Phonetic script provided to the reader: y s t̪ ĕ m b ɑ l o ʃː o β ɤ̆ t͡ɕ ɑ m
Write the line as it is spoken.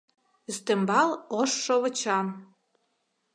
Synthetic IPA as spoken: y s t̪ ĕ m b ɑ l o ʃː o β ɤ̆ t͡ɕ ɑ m